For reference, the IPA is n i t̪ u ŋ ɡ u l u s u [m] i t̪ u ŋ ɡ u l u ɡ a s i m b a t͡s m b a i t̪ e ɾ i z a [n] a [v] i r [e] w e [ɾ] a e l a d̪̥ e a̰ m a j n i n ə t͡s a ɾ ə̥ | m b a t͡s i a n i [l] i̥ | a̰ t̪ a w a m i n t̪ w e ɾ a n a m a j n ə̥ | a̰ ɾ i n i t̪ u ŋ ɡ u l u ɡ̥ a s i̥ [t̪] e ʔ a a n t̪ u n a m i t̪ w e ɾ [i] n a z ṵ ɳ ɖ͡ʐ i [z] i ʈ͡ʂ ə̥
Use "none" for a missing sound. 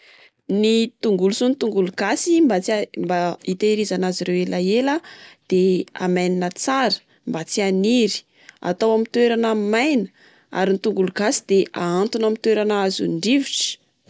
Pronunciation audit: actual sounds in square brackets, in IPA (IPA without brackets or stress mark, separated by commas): n, n, z, e, l, ɾ, d̪, a, v